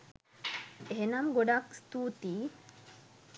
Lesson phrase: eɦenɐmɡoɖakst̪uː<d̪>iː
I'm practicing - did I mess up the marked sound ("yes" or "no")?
yes